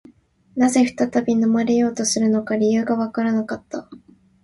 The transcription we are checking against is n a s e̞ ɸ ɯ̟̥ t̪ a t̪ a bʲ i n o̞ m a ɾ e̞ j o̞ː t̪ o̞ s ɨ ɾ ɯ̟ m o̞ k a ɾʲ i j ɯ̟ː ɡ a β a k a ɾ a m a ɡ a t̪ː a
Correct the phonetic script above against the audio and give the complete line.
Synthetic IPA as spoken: n a z e̞ ɸ ɯ̟̥ t̪ a t̪ a bʲ i n o̞ m a ɾ e̞ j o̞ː t̪ o̞ s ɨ ɾ ɯ̟ n o̞ k a ɾʲ i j ɯ̟ː ɡ a β a k a ɾ a n a k a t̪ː a